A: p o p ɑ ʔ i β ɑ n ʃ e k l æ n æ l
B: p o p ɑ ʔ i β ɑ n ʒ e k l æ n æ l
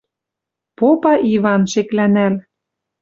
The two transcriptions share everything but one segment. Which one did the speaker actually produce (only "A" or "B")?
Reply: A